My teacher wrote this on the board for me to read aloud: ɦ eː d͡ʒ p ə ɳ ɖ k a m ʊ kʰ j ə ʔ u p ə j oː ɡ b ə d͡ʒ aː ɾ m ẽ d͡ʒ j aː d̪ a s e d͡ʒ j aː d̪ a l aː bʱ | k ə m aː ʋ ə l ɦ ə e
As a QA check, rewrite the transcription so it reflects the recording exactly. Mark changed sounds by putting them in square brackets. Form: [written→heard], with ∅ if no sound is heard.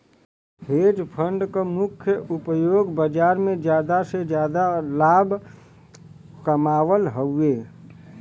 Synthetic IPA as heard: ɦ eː d͡ʒ [p→pʰ] ə ɳ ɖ k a m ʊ kʰ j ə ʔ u p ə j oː ɡ b ə d͡ʒ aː ɾ m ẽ d͡ʒ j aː d̪ a s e d͡ʒ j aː d̪ a l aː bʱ | k ə m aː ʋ ə l ɦ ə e